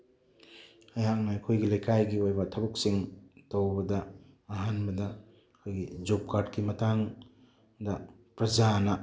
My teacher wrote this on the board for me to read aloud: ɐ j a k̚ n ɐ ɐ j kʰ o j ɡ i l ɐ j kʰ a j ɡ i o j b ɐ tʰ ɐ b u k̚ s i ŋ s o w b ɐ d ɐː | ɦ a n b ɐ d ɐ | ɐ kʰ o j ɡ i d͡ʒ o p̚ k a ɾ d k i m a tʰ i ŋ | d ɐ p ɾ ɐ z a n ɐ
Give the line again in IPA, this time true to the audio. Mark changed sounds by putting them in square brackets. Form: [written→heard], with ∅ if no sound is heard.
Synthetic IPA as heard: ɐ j a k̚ n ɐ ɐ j kʰ o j ɡ i l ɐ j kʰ a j ɡ i o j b ɐ tʰ ɐ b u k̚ s i ŋ [s→t] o w b ɐ d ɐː | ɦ a n b ɐ d ɐ | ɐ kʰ o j ɡ i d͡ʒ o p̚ k a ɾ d k i m [a→ɐ] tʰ [i→a] ŋ | d ɐ p ɾ ɐ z a n ɐ